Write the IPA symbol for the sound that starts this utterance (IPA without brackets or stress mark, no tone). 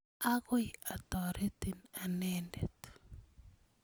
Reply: a